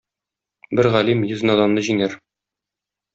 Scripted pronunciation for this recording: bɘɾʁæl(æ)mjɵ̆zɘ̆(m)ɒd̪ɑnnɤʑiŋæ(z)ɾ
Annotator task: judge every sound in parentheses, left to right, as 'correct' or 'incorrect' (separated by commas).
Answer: incorrect, incorrect, incorrect